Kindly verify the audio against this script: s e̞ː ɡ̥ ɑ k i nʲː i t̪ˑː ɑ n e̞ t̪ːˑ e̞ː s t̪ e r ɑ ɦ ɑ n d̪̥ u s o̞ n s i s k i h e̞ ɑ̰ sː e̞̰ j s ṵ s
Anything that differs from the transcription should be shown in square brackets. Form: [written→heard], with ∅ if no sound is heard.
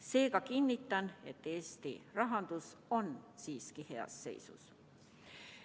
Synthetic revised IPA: s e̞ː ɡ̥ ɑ k i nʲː i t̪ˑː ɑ n e̞ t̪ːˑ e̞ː s t̪ [e→i] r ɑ ɦ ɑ n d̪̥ u s o̞ n s [i→iː] s k i h e̞ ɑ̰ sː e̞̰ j s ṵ s